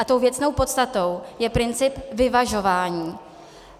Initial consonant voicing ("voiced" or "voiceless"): voiceless